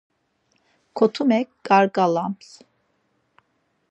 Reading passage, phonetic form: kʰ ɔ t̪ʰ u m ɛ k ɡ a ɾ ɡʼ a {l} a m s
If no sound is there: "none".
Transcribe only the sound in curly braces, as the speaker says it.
l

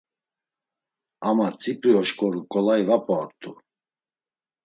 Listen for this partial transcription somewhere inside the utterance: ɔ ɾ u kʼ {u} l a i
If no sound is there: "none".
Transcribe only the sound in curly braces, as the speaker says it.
ɔ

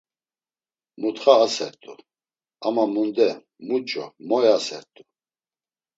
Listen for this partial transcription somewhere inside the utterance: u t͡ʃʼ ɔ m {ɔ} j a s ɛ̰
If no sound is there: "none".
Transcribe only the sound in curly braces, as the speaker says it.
ɔ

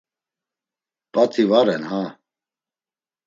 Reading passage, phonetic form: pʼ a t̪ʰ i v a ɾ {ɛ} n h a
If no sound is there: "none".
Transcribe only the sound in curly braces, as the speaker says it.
ɛ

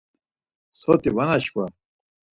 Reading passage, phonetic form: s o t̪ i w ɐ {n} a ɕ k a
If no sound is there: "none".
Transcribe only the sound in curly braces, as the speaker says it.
n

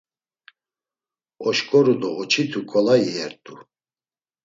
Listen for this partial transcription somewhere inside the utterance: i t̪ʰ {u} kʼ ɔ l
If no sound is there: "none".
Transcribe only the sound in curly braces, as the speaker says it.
u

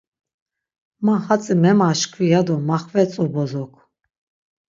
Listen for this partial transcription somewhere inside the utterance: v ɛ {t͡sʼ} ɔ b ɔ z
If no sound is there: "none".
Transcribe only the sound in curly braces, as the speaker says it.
t͡sʼ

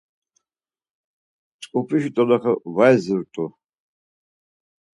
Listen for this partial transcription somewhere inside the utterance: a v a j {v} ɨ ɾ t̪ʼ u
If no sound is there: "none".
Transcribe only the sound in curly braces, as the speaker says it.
z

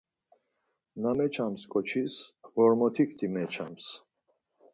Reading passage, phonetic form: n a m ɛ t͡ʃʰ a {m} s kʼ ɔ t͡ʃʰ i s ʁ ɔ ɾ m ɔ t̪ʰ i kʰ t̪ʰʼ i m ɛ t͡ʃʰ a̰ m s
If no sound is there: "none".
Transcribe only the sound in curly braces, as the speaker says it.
m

